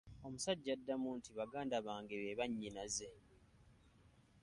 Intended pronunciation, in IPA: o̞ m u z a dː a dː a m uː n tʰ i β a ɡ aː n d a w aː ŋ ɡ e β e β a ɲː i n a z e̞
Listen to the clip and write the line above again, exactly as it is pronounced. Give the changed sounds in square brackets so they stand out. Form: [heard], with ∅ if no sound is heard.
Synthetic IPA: o̞ m u [s] a [ɟː] a dː a m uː n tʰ i β a ɡ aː n d a [β] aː ŋ ɡ e β e β a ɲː i n a z e̞

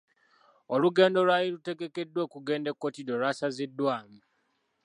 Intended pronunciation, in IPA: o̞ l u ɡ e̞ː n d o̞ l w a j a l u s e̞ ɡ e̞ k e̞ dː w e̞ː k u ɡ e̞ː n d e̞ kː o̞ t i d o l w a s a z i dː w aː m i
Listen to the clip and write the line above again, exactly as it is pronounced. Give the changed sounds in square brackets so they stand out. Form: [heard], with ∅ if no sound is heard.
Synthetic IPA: o̞ l u ɡ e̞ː n d o̞ l w a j [i] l u [t] e̞ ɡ e̞ k e̞ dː w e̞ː k u ɡ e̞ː n d e̞ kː o̞ t i d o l w a s a z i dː w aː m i

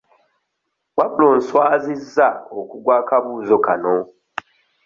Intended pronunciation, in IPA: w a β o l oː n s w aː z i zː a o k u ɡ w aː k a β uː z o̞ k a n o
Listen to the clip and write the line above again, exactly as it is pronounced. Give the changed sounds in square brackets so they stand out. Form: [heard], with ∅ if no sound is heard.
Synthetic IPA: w a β [u] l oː n s w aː z i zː a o k u ɡ w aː k a β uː z o̞ k a n o

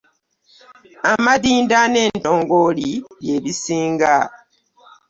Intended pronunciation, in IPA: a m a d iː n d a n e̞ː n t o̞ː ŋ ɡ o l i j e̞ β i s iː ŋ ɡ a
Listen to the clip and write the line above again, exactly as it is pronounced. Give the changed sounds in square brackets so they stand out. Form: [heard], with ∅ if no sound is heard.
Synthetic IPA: a m a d iː n d a n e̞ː n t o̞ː ŋ ɡ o l i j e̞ β i s iː ŋ ɡ a

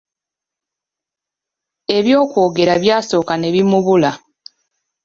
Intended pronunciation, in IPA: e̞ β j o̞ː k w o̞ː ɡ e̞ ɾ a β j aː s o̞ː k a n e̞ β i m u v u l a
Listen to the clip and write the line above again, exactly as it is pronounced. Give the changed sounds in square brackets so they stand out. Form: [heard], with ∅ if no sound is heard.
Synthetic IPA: e̞ β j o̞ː k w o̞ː ɡ e̞ ɾ a β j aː s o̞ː k a n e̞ β i m u [β] u l a

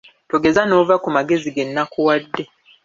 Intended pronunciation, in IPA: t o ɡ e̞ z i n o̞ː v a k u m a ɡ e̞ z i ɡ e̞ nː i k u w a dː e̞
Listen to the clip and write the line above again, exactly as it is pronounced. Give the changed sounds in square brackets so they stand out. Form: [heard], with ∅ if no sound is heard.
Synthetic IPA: t o ɡ e̞ z [a] n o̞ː v a k u m a ɡ e̞ z i ɡ e̞ nː [a] k u w a dː e̞

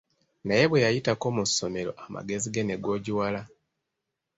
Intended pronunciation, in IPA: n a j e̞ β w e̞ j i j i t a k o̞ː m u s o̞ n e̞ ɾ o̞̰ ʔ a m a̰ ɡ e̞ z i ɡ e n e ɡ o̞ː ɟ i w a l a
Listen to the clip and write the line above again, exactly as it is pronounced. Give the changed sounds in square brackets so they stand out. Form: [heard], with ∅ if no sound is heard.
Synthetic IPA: n a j e̞ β w e̞ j [a] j i t a k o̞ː m u s o̞ [m] e̞ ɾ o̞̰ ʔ a m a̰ ɡ e̞ z i ɡ e n e ɡ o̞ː ɟ i w a l a

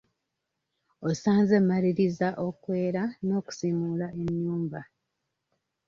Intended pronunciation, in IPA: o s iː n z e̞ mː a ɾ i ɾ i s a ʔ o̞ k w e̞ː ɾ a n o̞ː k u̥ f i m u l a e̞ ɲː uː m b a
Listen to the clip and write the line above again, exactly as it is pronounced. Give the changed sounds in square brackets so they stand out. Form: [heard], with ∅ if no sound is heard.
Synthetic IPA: o s [aː] n z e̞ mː a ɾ i ɾ i [z] a ʔ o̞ k w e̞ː ɾ a n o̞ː k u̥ [s] i m u l a e̞ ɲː uː m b a

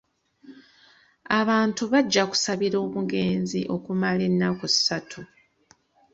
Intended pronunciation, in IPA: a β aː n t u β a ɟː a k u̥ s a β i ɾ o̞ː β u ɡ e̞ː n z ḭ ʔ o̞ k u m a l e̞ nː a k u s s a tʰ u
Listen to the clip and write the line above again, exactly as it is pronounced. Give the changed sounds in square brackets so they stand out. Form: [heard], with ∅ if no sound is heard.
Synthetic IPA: a β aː n t u β a ɟː a k u̥ s a β i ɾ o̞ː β u ɡ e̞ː n z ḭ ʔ o̞ k u m a l e̞ nː a k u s s a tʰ u

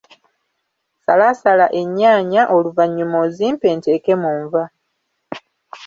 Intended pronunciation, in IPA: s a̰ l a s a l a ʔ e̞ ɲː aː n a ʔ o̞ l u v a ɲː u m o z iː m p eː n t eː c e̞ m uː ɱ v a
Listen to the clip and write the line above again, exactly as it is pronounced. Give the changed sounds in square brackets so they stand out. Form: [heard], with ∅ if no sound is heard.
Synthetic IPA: s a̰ l a s a l a ʔ e̞ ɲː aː [ɲ] a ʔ o̞ l u v a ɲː u m o z iː m p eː n t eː [k] e̞ m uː ɱ v a

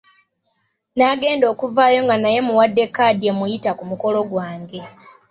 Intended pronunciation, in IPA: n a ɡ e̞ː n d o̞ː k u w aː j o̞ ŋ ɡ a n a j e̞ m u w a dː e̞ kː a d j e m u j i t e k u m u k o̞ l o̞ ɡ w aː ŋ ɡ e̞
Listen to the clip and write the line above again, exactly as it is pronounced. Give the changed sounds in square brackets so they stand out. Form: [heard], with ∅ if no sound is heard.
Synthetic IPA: n a ɡ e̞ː n d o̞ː k u [v] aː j o̞ ŋ ɡ a n a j e̞ m u w a dː e̞ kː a d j e m u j i t [a] k u m u k o̞ l o̞ ɡ w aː ŋ ɡ e̞

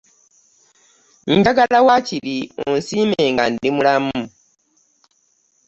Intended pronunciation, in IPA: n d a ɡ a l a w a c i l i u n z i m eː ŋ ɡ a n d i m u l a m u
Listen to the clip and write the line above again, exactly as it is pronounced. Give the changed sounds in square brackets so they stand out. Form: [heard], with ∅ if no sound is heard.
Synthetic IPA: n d a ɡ a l a w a c i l i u n [s] i m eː ŋ ɡ a n d i m u l a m u

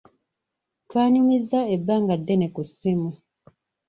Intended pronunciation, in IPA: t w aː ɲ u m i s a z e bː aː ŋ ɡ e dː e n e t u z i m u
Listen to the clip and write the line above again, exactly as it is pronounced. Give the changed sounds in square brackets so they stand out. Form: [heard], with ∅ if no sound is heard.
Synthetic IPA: t w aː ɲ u m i [z] a [∅] e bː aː ŋ ɡ [a] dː e n e [k] u [s] i m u

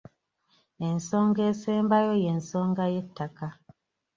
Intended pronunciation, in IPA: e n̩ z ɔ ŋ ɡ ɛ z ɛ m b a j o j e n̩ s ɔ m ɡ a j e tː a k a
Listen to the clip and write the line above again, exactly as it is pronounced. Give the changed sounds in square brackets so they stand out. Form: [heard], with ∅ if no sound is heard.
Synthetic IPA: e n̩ [s] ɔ ŋ ɡ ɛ [s] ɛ m b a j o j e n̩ s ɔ [ŋ] ɡ a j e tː a k a

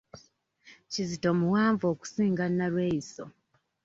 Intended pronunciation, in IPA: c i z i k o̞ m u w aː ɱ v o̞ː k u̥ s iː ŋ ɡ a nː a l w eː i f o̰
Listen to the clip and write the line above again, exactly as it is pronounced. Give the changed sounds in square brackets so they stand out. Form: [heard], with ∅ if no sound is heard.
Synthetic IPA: c i z i [t] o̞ m u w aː ɱ v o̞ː k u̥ s iː ŋ ɡ a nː a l w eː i [s] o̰

